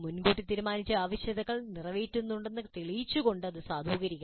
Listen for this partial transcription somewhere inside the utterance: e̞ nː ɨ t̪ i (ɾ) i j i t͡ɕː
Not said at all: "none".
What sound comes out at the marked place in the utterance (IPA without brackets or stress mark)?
ɭ